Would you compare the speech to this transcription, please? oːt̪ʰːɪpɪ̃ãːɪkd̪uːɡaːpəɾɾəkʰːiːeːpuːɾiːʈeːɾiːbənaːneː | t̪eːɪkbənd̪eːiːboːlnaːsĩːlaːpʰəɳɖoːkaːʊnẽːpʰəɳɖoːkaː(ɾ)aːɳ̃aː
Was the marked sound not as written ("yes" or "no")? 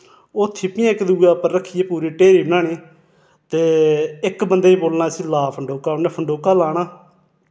yes